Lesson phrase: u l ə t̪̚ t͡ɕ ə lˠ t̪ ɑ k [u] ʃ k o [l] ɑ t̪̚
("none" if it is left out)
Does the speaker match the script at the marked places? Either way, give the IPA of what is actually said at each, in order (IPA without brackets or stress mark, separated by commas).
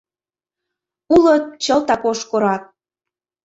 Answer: o, ɾ